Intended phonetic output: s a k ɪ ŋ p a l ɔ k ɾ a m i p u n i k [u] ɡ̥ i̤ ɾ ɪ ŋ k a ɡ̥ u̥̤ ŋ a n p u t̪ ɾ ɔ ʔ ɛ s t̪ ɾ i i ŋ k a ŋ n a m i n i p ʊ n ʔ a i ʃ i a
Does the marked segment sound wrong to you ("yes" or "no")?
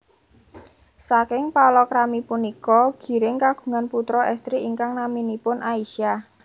yes